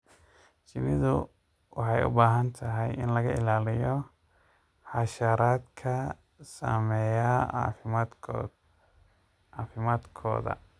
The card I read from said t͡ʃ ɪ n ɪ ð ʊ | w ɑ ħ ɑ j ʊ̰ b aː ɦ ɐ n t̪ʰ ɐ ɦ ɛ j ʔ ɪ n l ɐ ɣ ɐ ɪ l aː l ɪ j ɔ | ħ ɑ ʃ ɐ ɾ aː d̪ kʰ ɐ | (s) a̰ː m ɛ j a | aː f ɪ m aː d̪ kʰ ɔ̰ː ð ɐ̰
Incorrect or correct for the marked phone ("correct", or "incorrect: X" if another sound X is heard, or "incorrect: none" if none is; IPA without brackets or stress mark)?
correct